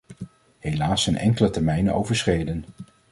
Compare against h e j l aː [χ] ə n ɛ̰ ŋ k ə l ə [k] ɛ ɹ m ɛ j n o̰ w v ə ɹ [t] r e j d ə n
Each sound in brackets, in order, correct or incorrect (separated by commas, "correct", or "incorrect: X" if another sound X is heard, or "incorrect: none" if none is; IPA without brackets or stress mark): incorrect: s, incorrect: t, incorrect: s